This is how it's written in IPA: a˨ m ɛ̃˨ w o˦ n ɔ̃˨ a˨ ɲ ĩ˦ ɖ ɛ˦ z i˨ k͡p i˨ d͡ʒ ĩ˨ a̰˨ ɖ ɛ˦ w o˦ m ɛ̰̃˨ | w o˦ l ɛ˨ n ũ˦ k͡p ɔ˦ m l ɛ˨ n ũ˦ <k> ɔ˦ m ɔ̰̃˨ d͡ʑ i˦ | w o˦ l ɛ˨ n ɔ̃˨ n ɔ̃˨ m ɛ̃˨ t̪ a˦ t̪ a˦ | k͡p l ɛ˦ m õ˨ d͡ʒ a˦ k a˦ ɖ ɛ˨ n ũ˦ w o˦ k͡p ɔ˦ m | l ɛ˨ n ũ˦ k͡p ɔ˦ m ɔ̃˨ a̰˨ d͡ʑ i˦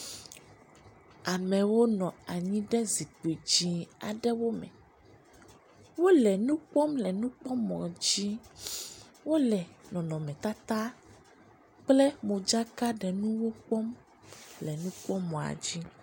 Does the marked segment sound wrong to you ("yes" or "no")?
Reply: yes